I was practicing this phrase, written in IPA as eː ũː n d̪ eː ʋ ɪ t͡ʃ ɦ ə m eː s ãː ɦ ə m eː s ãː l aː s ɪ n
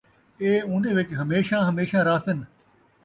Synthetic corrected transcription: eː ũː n d̪ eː ʋ ɪ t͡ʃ ɦ ə m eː ʃ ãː ɦ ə m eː ʃ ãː ɾ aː s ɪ n